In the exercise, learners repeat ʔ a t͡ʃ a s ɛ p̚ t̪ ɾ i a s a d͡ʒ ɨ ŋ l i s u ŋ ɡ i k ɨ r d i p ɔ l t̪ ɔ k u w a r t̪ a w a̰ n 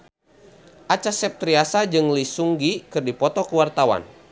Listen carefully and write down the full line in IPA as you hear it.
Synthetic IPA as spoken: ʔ a t͡ʃ a s ɛ p̚ t̪ ɾ i a s a d͡ʒ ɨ ŋ l i s u ŋ ɡ i k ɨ r d i p ɔ t̪ ɔ k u w a r t̪ a w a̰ n